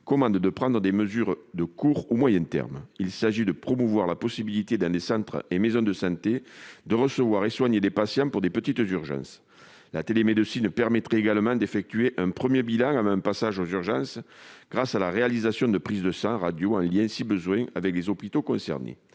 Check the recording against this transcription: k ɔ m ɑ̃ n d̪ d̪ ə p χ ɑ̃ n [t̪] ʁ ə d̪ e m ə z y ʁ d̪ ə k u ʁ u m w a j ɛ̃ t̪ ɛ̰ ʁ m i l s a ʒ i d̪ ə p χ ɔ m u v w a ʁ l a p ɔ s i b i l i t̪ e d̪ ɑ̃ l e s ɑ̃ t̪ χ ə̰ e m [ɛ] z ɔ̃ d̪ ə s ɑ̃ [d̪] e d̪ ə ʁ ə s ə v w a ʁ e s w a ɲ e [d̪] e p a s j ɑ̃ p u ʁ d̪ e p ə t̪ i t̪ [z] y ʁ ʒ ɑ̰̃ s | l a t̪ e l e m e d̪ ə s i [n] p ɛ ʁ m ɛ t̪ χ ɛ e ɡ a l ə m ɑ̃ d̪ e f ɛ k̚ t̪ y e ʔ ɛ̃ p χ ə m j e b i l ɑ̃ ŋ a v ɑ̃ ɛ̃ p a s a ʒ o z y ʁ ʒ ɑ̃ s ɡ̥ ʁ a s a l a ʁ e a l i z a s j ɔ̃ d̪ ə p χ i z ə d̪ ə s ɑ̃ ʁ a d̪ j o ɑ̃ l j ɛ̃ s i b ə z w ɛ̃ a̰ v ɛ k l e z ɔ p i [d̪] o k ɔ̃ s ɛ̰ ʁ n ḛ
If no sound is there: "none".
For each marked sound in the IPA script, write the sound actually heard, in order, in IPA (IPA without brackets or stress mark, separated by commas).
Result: d̪, e, t̪, d̪, z, n, t̪